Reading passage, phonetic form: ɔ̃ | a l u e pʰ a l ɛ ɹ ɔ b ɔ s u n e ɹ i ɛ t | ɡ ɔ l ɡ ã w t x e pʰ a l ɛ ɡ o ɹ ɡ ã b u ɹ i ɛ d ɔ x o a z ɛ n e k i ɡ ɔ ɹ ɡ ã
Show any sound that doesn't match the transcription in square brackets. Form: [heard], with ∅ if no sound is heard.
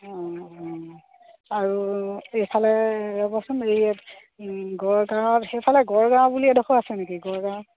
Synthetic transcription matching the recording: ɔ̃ | a [ɹ] u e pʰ a l ɛ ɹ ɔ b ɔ s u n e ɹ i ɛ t | ɡ ɔ [ɹ] ɡ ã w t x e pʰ a l ɛ ɡ [ɔ] ɹ ɡ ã b u [l] i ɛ d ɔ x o a [s] ɛ n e k i ɡ ɔ ɹ ɡ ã